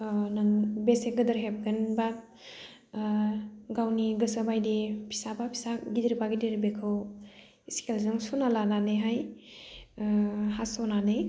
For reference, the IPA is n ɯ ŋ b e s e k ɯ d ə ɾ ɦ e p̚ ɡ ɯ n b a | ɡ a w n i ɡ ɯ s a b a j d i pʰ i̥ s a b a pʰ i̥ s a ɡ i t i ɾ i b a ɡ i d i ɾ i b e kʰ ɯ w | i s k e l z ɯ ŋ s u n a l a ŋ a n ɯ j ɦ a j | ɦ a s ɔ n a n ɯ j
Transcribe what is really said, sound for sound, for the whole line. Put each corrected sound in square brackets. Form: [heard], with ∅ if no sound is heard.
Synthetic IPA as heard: n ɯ ŋ b e s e [ɡ] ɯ d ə ɾ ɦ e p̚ ɡ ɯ n b a | ɡ a w n i ɡ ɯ s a b a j d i pʰ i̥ s a b a pʰ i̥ s a ɡ i [d] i ɾ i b a ɡ i d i ɾ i b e kʰ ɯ w | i s k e l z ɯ ŋ s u n a l a [n] a n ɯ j ɦ a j | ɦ a s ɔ n a n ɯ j

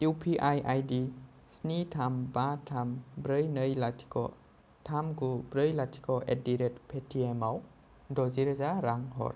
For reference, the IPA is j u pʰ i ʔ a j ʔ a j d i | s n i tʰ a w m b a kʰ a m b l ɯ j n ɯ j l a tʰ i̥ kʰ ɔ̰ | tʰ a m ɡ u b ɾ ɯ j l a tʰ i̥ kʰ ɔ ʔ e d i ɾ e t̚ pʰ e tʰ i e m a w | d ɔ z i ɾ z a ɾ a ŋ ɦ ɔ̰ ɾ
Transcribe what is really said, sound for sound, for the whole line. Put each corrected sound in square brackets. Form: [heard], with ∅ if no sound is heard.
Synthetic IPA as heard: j u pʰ i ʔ a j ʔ a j d i | s n i tʰ a [∅] m b a [tʰ] a m b [ɾ] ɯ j n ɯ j l a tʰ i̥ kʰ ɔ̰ | tʰ a m ɡ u b ɾ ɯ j l a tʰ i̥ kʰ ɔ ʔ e d i ɾ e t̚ pʰ e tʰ i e m a w | d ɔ z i ɾ z a ɾ a ŋ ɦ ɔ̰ ɾ

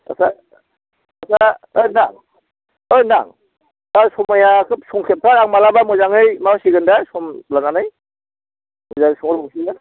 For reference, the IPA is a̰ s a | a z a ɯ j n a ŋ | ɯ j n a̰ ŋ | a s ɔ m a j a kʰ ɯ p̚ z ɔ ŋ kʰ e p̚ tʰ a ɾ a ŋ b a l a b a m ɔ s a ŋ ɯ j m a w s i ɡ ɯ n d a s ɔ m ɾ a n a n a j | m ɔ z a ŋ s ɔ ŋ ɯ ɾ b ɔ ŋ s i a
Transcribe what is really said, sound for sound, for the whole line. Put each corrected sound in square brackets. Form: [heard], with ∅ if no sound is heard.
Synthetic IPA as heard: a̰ s a | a [s] a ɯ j n a ŋ | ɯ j n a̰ ŋ | a s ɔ m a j a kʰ ɯ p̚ [s] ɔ ŋ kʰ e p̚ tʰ a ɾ a ŋ [m] a l a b a m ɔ [z] a ŋ ɯ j m a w s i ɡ ɯ n d a s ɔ m [l] a n a n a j | m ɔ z a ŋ s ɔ ŋ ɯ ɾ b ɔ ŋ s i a

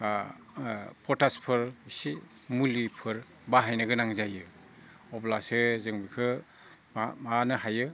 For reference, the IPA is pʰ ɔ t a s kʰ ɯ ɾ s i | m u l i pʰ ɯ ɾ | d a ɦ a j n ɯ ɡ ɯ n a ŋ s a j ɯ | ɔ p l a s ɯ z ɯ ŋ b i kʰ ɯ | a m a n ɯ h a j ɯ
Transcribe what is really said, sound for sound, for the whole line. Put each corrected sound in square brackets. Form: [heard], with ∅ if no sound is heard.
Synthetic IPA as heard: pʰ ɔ t a s [pʰ] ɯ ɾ s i | m u l i pʰ ɯ ɾ | [b] a ɦ a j n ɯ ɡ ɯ n a ŋ [z] a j ɯ | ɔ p l a s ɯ z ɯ ŋ b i kʰ ɯ | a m a n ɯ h a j ɯ

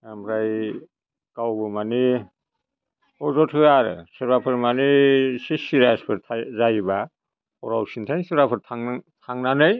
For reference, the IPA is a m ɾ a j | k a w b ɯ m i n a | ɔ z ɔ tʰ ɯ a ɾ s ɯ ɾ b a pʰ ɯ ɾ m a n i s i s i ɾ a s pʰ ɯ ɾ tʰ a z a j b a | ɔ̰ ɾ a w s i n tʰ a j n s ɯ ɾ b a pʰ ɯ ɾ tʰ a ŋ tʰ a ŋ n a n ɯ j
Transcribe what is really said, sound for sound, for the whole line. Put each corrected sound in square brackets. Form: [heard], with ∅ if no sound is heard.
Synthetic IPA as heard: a m ɾ a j | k a w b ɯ m [a] n [i] | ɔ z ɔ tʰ ɯ a ɾ s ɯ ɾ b a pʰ ɯ ɾ m a n i s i s i ɾ a s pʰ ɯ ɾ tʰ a z a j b a | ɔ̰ ɾ a w s i n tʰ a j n s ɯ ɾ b a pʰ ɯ ɾ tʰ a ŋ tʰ a ŋ n a n ɯ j

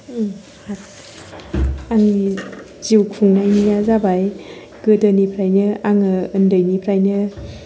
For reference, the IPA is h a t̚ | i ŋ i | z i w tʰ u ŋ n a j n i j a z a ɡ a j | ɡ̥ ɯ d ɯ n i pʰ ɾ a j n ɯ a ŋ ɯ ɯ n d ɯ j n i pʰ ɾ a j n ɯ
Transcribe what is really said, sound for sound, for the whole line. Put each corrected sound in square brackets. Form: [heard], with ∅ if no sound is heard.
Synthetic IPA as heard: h a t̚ | [a] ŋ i | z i w [kʰ] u ŋ n a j n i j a z a [b] a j | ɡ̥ ɯ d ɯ n i pʰ ɾ a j n ɯ a ŋ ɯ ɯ n d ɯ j n i pʰ ɾ a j n ɯ

